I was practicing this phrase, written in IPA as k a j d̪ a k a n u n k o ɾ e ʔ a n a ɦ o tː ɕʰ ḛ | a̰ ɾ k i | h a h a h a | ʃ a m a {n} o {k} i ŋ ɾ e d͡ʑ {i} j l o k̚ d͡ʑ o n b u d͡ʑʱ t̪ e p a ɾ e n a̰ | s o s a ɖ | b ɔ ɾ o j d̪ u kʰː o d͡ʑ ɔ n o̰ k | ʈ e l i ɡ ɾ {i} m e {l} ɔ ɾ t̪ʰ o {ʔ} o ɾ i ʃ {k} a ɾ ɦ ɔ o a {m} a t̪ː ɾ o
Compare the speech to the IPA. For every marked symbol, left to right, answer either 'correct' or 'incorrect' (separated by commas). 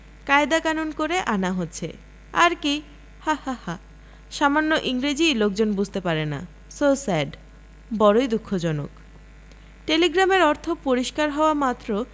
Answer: incorrect, incorrect, correct, incorrect, incorrect, incorrect, correct, correct